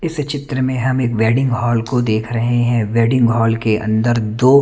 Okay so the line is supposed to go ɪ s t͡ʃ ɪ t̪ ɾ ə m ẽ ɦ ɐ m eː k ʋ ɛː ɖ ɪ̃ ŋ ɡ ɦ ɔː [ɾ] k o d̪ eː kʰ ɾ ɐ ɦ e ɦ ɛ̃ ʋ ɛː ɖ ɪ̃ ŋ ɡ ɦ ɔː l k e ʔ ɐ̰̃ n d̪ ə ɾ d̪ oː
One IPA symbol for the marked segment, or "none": l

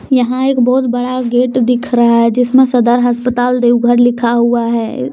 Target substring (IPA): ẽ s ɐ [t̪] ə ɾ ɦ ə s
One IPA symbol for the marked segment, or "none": d̪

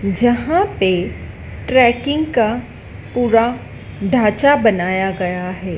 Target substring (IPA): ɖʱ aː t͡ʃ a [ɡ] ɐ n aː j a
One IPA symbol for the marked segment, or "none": b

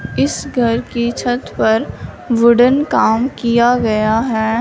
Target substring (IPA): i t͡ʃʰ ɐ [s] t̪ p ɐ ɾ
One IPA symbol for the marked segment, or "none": none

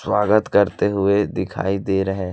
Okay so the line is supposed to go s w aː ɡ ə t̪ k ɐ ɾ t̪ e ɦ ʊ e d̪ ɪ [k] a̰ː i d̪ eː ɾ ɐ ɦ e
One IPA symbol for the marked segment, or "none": kʰ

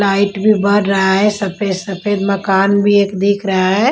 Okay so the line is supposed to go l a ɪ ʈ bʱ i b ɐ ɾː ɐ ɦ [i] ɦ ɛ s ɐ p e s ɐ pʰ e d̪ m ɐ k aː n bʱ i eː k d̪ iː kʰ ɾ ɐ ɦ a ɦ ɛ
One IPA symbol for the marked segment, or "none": a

